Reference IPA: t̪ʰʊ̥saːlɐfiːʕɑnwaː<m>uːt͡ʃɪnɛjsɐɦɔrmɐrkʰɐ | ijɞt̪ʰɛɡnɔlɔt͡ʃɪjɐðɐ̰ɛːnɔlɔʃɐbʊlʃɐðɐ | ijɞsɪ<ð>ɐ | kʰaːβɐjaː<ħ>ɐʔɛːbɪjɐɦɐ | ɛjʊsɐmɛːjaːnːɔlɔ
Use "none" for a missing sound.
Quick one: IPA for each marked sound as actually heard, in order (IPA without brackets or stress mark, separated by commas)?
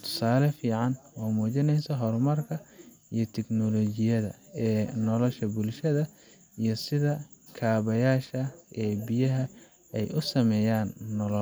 m, ð, ʃ